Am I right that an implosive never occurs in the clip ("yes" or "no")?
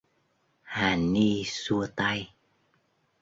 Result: yes